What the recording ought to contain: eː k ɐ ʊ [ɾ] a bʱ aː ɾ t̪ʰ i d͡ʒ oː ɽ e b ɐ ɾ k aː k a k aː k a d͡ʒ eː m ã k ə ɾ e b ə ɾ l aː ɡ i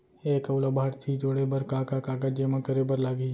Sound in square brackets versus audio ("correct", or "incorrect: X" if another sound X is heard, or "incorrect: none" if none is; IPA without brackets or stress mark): incorrect: l